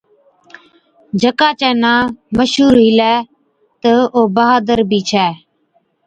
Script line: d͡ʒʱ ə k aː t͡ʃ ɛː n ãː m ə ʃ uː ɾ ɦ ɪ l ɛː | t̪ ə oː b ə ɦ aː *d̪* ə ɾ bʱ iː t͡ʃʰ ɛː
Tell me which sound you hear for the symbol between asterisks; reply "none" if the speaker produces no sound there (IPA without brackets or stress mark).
d̪